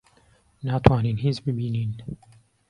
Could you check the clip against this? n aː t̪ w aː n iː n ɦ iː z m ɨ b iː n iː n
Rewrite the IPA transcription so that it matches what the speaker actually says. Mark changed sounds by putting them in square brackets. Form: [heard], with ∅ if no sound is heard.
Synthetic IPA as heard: n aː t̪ w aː n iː n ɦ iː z [b] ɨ b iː n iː n